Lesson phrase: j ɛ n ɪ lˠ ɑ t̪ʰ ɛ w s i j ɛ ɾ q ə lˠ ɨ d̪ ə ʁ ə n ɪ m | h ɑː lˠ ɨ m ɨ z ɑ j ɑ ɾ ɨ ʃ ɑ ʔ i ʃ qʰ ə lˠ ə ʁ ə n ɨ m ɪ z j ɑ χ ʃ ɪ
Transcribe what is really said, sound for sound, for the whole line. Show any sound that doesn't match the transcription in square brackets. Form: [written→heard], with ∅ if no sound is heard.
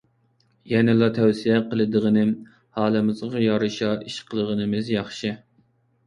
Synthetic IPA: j ɛ n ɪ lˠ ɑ t̪ʰ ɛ w s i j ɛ [ɾ→∅] q ə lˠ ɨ d̪ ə ʁ ə n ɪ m | h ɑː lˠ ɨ m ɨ z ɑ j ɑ ɾ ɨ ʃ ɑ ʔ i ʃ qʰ ə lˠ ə ʁ ə n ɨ m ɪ z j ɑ χ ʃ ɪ